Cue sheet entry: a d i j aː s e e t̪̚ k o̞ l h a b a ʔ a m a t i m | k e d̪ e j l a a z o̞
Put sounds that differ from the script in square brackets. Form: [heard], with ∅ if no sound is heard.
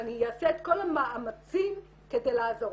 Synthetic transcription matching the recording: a [n] i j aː s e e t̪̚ k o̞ l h a [m] a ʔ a m a [t͡s] i m | k e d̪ e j l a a z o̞